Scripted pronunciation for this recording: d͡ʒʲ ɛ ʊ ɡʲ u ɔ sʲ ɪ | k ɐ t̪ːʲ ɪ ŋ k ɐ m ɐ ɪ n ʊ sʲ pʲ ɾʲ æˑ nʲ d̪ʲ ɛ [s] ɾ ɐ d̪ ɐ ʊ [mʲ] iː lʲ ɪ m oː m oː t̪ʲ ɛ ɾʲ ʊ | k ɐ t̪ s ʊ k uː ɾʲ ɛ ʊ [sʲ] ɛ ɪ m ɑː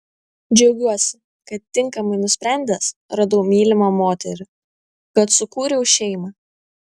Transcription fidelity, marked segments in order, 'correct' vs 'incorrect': correct, correct, incorrect: ʃʲ

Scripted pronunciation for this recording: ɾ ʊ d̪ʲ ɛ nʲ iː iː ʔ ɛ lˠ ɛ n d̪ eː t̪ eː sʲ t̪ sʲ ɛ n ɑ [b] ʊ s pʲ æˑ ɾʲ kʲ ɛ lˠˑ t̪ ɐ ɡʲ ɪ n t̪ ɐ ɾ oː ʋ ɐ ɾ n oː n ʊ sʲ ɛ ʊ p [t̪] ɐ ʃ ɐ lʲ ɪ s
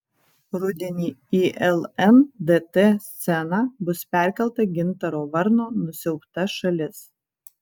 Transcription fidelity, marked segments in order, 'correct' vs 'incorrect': correct, correct

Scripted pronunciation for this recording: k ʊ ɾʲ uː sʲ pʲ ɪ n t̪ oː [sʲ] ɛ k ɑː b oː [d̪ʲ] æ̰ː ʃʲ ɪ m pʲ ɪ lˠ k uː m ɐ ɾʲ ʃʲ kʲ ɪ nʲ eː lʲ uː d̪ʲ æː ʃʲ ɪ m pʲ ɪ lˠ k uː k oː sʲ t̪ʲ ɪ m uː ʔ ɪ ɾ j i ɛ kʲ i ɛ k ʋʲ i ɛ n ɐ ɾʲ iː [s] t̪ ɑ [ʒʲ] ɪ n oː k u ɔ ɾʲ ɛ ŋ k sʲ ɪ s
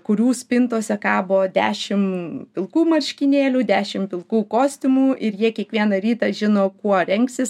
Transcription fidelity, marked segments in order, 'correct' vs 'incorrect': correct, correct, incorrect: none, correct

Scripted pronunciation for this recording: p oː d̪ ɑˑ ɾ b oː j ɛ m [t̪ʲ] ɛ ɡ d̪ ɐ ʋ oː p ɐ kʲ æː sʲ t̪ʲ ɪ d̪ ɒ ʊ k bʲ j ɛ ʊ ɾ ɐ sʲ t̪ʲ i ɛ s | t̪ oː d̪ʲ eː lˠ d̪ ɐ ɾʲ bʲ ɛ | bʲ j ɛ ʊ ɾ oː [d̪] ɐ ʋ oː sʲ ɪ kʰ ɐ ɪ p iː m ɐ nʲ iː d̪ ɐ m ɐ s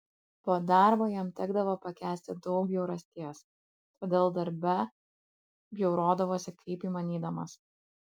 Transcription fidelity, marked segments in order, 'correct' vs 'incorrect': correct, correct

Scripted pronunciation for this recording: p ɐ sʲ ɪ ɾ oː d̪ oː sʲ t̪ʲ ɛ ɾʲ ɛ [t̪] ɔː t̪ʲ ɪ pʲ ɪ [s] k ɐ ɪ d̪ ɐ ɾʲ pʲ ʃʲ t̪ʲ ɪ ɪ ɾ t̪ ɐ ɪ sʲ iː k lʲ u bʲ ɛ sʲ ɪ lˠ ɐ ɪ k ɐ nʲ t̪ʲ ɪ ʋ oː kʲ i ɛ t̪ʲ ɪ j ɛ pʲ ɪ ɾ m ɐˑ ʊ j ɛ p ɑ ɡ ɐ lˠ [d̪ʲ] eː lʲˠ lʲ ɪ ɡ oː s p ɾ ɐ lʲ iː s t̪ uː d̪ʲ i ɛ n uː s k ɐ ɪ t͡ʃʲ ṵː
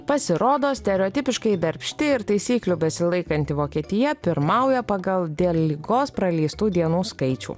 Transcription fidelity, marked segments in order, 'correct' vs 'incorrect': incorrect: none, incorrect: ʃ, correct

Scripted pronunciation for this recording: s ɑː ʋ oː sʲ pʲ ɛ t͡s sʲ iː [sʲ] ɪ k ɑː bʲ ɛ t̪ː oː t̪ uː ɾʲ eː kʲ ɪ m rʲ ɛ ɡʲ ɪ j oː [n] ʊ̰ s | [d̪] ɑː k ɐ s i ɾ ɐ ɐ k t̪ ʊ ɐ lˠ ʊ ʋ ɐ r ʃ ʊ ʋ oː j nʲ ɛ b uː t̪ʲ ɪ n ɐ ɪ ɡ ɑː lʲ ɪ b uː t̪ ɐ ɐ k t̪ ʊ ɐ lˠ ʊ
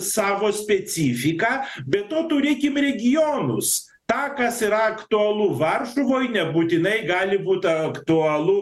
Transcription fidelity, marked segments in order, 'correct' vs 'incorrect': incorrect: fʲ, correct, incorrect: t̪

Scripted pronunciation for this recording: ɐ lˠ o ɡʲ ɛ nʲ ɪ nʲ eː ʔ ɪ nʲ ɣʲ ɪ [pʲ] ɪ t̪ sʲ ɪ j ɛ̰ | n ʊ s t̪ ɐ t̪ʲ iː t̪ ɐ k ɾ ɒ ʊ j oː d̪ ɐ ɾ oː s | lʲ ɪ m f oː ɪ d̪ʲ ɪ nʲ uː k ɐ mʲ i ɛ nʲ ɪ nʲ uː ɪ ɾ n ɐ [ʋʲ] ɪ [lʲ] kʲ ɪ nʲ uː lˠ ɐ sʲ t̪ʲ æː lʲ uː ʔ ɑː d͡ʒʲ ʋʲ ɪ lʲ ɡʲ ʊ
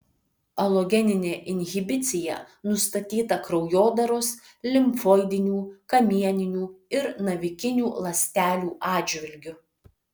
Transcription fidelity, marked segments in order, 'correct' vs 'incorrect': incorrect: bʲ, correct, incorrect: none

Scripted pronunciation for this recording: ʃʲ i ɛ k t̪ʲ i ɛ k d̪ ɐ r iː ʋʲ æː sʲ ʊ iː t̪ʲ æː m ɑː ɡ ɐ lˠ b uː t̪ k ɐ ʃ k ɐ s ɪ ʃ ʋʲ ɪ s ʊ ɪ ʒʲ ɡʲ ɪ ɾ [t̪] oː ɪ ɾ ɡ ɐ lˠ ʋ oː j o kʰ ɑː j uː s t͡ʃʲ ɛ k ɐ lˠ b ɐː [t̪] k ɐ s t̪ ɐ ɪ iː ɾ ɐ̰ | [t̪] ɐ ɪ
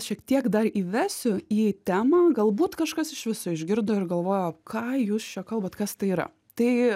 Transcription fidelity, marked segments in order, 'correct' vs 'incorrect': incorrect: d̪, correct, correct

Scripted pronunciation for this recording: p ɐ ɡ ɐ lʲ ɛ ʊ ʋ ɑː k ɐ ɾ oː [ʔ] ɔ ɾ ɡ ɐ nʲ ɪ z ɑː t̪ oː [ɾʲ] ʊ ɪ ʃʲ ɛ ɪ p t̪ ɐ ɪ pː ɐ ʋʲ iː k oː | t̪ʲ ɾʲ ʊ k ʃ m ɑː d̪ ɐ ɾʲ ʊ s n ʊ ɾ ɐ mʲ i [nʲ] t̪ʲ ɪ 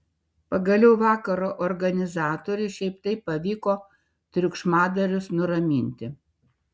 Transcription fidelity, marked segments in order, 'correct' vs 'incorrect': correct, correct, correct

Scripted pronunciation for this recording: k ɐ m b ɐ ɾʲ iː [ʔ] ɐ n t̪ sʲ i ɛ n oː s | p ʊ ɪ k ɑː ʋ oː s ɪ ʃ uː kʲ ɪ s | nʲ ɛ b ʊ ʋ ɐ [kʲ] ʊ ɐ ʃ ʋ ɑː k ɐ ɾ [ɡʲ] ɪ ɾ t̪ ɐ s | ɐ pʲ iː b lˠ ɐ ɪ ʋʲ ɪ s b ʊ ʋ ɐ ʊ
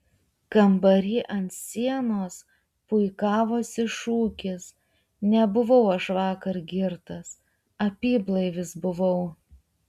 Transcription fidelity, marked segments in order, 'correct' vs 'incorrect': correct, incorrect: none, correct

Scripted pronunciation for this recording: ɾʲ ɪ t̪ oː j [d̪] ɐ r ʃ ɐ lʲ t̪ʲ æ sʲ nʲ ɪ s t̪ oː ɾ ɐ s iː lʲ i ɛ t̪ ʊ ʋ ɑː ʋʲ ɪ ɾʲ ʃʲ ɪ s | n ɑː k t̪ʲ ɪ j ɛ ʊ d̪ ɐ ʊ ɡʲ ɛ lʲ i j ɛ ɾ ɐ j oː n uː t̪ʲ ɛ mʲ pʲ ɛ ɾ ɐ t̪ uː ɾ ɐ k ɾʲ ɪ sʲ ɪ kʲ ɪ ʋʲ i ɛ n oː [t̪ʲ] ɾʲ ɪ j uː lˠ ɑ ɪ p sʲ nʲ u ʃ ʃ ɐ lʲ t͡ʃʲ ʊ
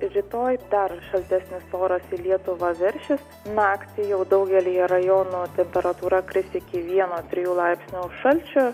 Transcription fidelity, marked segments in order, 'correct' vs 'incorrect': correct, correct

